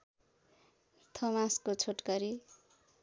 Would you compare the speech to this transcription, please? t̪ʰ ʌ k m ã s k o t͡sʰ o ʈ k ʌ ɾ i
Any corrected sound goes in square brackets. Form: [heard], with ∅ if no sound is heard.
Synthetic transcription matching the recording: t̪ʰ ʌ [∅] m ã s k o t͡sʰ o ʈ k ʌ ɾ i